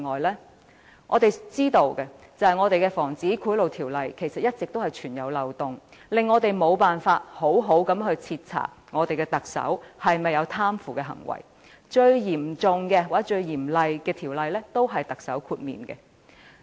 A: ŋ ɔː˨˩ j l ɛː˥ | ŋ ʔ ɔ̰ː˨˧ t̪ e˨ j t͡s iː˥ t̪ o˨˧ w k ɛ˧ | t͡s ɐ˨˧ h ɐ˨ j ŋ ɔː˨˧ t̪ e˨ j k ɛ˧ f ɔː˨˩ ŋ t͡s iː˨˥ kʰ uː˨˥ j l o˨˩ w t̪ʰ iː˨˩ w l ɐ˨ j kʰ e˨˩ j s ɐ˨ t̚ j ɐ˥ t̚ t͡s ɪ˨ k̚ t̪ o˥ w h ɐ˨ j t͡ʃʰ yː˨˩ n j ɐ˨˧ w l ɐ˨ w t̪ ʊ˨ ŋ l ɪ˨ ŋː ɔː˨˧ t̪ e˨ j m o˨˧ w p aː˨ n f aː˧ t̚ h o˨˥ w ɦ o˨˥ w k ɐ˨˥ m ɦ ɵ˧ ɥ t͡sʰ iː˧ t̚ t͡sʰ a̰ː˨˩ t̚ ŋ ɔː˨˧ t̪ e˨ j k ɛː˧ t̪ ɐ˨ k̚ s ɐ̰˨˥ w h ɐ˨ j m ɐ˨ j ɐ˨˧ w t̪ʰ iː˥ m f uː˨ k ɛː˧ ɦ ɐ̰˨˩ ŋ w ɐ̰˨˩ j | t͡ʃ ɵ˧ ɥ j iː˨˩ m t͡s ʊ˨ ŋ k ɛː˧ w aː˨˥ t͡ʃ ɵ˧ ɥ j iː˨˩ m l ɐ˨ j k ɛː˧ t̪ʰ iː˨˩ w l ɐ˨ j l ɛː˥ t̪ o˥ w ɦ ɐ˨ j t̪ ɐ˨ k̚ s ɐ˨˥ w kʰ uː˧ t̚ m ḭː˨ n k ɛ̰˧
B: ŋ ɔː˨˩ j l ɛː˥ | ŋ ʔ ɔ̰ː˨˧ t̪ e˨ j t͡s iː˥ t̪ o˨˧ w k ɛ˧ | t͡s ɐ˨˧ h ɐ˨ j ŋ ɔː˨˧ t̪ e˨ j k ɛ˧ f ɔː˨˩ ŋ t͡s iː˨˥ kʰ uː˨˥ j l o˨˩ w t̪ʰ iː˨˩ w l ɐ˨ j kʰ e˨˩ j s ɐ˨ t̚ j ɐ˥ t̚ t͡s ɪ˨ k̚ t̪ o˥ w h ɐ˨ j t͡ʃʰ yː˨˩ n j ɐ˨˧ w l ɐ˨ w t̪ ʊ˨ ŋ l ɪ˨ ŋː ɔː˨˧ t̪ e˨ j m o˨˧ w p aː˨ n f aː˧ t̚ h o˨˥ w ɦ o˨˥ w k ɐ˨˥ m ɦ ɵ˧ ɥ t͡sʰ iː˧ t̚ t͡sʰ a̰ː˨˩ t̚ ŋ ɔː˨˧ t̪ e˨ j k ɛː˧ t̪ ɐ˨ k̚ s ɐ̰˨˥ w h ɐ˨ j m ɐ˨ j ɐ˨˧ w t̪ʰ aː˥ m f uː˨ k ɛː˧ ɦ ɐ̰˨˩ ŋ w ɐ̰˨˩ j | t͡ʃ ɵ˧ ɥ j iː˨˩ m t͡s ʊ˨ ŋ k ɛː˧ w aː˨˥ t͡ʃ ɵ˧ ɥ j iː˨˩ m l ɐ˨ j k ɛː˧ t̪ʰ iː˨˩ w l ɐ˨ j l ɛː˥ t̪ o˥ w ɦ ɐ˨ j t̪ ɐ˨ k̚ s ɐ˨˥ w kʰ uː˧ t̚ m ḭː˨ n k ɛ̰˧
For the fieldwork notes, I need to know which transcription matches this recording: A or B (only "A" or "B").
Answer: B